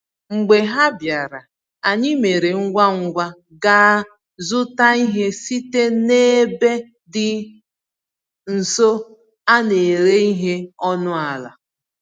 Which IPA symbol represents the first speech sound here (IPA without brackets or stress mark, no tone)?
ŋ͡m̩